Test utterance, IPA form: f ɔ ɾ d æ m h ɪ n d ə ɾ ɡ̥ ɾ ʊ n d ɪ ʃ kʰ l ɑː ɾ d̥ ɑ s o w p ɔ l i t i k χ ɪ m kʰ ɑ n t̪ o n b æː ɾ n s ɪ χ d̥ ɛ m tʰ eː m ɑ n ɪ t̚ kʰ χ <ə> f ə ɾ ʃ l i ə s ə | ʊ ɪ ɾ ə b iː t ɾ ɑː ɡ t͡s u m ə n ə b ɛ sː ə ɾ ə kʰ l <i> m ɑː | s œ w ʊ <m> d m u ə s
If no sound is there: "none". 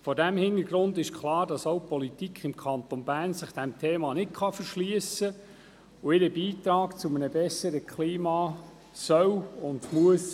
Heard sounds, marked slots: ɑ, iː, n

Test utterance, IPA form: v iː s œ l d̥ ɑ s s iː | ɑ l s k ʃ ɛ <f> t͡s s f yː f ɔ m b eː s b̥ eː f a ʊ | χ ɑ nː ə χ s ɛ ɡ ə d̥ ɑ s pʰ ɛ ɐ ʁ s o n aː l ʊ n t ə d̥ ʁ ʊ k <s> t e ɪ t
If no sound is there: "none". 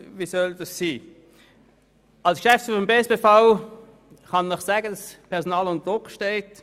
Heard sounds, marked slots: f, ʃ

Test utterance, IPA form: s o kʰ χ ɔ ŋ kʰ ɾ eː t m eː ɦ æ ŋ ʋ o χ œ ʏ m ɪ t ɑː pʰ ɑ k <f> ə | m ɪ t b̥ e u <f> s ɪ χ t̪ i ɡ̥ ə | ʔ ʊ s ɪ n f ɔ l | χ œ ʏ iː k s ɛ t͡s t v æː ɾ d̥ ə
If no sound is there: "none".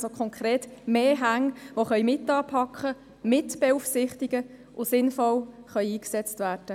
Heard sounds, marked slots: χ, f

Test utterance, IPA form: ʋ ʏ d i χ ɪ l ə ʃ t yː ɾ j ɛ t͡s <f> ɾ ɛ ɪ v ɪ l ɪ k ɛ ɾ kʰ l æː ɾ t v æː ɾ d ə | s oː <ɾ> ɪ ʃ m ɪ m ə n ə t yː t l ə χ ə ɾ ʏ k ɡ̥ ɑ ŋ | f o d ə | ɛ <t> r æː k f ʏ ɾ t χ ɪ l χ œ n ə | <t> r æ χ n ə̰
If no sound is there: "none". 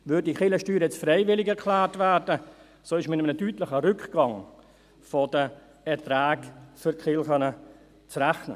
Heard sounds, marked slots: f, none, t, t͡s

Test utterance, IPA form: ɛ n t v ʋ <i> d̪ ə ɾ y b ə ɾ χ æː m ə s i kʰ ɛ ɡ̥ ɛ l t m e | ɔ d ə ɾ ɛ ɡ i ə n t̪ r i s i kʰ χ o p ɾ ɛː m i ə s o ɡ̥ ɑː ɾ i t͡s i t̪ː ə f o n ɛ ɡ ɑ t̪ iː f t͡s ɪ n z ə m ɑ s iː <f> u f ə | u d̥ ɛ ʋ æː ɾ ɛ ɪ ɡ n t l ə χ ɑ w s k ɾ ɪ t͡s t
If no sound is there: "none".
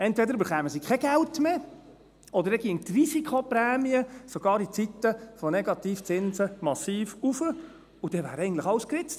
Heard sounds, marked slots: ɛ, f

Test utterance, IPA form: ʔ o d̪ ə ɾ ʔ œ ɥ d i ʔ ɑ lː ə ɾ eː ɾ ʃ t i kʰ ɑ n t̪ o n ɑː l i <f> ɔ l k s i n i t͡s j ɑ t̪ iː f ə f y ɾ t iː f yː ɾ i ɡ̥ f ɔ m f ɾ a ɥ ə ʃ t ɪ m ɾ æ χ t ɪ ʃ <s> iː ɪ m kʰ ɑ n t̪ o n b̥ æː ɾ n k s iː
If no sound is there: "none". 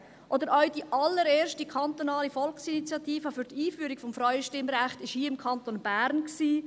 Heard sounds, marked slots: f, h

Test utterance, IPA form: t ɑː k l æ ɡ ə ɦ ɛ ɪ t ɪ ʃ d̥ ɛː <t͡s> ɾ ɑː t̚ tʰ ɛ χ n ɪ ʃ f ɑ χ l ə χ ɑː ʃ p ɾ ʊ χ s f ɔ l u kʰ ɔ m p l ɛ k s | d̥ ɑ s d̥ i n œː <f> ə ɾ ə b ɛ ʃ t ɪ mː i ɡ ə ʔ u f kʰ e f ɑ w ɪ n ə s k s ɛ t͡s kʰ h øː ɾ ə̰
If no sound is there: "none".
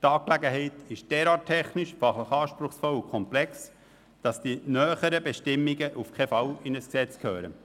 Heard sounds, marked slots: none, χ

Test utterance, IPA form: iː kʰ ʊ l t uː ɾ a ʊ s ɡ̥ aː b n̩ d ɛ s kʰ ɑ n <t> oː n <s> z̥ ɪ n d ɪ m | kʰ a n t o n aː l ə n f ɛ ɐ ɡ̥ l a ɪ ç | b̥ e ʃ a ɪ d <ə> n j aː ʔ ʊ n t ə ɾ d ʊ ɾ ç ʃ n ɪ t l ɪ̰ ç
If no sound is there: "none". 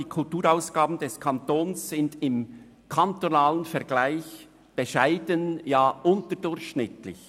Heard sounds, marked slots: t, s, ə

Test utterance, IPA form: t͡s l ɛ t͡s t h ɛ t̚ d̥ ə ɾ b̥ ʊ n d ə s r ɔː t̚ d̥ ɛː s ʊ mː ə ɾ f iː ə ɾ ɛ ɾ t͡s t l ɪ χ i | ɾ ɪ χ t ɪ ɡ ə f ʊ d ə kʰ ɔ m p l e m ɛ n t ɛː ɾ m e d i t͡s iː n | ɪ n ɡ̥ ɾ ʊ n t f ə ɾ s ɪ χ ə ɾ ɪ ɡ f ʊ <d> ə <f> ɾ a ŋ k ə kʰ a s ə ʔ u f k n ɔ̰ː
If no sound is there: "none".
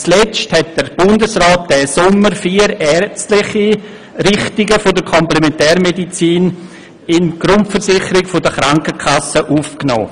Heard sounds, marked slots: d, χ

